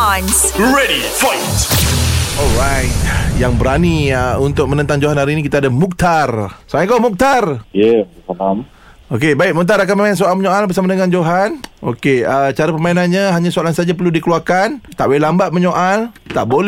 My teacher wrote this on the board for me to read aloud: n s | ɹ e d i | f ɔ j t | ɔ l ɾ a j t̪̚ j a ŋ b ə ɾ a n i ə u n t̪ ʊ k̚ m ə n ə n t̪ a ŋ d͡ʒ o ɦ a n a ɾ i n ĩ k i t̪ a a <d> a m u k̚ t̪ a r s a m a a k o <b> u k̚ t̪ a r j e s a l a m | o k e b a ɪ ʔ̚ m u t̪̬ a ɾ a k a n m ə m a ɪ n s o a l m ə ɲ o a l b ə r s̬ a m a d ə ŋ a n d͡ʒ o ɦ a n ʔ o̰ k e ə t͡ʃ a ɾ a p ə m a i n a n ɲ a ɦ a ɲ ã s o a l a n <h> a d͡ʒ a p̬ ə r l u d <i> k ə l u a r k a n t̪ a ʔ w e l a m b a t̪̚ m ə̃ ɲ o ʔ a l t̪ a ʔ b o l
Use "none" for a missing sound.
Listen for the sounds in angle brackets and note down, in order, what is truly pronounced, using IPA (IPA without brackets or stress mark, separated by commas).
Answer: d, m, s, i